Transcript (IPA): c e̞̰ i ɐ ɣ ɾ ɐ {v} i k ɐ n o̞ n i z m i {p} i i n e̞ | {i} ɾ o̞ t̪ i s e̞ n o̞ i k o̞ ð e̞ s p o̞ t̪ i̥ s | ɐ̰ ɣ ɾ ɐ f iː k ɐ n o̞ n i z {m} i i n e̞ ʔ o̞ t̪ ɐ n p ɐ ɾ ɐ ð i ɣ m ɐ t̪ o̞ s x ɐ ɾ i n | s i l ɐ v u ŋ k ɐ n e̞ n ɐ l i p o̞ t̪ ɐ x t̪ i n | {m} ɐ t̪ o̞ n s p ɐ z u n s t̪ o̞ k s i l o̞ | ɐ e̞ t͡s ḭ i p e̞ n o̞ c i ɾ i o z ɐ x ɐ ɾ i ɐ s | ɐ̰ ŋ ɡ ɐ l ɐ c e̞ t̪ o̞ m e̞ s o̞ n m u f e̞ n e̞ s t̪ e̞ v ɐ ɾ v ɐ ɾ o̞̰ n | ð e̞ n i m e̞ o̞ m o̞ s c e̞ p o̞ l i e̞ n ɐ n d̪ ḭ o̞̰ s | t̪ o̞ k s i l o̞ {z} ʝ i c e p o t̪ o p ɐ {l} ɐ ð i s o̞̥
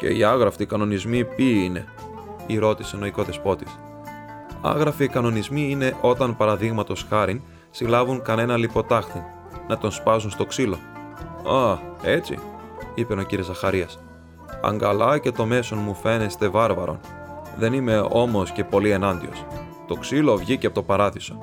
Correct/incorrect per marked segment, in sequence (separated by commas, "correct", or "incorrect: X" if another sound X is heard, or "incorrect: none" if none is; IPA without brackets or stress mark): incorrect: f, correct, correct, correct, incorrect: n, incorrect: v, incorrect: ɾ